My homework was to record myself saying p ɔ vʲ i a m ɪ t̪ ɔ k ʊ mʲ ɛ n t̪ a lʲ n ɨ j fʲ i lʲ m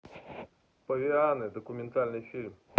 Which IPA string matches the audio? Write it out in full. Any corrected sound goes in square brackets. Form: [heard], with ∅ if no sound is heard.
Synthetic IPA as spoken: p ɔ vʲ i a [n] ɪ [d̪] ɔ k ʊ mʲ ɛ n t̪ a lʲ n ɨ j fʲ i lʲ m